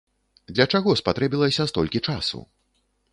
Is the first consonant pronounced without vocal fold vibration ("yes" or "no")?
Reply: no